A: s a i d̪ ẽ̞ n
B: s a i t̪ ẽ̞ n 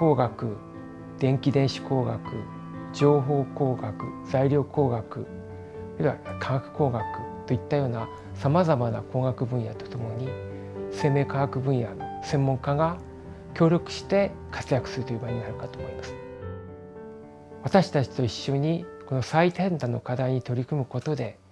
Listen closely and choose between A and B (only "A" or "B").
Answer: B